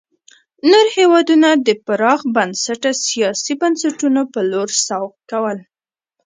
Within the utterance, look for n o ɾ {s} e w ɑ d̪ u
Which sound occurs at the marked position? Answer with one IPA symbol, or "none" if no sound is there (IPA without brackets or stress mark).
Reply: h